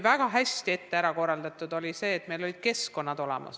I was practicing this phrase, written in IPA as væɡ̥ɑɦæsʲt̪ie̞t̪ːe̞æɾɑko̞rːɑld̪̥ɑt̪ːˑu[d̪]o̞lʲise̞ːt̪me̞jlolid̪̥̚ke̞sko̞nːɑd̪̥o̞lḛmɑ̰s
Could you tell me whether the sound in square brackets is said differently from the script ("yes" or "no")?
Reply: no